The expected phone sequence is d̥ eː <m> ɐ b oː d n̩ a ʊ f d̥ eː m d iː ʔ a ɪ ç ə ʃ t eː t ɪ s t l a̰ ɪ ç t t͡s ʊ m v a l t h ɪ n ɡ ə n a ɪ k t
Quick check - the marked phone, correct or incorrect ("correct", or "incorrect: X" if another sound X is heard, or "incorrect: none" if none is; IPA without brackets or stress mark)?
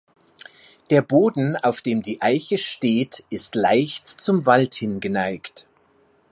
incorrect: none